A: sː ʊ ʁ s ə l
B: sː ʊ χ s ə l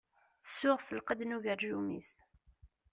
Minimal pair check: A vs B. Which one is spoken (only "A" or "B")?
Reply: A